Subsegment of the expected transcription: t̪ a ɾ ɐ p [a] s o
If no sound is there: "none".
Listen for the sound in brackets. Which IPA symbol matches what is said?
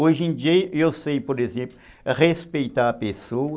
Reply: e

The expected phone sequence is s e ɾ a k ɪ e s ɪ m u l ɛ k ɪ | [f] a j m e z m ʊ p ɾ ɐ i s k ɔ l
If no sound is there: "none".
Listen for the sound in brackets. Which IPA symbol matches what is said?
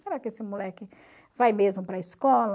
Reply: v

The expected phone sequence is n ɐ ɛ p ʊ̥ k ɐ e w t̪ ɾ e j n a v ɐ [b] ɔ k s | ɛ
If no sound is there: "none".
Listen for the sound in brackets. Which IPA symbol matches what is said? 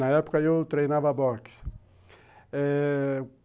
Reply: b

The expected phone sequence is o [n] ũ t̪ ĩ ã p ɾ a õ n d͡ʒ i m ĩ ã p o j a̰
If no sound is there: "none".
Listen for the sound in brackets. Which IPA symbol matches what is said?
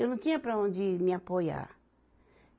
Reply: n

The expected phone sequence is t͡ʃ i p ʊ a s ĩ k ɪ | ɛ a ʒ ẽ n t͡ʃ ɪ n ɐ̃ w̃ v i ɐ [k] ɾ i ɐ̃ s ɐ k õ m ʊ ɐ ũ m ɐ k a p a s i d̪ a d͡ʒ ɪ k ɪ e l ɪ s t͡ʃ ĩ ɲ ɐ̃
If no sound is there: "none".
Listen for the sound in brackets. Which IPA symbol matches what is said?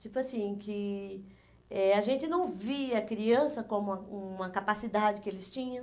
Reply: k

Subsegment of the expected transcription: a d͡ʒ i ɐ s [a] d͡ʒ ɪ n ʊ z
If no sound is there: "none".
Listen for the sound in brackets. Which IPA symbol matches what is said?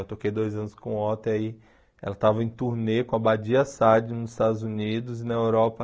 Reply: a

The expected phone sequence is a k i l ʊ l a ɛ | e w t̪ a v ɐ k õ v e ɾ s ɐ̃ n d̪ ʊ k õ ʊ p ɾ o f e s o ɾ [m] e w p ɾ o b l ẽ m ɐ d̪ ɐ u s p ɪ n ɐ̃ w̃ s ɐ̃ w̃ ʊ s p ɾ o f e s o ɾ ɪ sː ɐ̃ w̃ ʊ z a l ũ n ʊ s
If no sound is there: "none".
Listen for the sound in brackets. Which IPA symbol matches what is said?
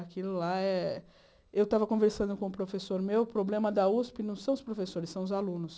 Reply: m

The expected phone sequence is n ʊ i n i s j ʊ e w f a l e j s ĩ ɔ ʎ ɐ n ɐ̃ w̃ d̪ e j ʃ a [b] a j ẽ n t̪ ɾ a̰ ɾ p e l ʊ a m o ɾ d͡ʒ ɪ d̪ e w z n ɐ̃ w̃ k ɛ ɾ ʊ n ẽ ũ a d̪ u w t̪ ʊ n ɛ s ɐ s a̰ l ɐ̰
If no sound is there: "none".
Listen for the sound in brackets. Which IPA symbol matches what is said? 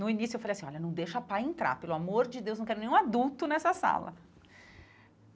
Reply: p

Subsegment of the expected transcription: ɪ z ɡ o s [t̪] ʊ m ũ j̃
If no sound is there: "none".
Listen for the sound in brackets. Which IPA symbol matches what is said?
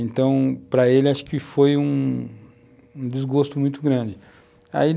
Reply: t̪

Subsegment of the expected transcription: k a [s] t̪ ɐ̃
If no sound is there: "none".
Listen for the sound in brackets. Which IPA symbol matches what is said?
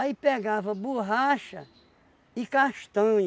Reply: ʃ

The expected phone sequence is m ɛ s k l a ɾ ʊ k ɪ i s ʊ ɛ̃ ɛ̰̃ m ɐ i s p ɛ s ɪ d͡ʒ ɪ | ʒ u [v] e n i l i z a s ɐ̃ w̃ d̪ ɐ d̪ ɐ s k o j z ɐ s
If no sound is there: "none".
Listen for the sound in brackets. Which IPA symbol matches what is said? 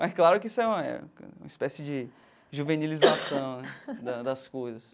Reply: v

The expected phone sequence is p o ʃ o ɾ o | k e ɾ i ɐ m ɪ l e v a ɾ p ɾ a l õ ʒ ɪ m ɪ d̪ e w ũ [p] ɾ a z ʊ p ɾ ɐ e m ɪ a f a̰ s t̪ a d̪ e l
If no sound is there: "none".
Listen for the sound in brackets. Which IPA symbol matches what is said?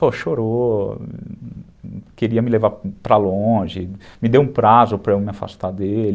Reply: p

